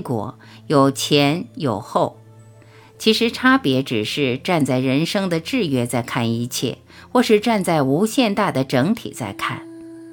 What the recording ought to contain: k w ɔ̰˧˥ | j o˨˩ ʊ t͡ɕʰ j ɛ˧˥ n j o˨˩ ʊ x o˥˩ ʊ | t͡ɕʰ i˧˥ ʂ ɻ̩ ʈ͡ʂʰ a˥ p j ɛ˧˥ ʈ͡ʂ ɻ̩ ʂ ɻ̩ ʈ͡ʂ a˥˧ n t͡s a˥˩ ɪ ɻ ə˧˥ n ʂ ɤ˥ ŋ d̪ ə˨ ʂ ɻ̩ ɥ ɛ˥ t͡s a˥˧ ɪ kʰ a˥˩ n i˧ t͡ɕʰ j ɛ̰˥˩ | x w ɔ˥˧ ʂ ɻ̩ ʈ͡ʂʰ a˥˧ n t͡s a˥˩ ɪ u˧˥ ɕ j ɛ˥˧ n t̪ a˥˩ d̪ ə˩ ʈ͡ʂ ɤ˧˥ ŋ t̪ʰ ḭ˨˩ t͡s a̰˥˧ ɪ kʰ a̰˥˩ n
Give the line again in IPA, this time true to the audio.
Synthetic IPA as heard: k w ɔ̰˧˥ | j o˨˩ ʊ t͡ɕʰ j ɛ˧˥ n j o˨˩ ʊ x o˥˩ ʊ | t͡ɕʰ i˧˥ ʂ ɻ̩ ʈ͡ʂʰ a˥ p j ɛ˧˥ ʈ͡ʂ ɻ̩ ʂ ɻ̩ ʈ͡ʂ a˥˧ n t͡s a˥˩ ɪ ɻ ə˧˥ n ʂ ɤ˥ ŋ d̪ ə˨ ʈ͡ʂ ɻ̩ ɥ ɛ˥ t͡s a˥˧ ɪ kʰ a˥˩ n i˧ t͡ɕʰ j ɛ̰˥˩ | x w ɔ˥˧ ʂ ɻ̩ ʈ͡ʂ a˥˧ n t͡s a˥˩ ɪ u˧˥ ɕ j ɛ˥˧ n t̪ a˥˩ d̪ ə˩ ʈ͡ʂ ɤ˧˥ ŋ t̪ʰ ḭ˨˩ t͡s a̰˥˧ ɪ kʰ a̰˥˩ n